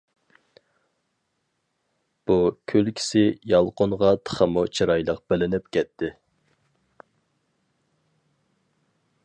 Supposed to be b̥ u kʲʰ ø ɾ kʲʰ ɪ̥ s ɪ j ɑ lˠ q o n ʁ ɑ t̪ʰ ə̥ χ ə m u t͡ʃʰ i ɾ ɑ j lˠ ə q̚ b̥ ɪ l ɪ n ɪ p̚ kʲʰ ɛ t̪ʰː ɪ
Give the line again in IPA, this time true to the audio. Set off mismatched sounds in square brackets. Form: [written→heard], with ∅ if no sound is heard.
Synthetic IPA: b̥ u kʲʰ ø [ɾ→l] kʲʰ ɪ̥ s ɪ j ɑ lˠ q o n ʁ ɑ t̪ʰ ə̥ χ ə m u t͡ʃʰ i ɾ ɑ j lˠ ə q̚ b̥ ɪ l ɪ n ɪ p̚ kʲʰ ɛ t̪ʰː ɪ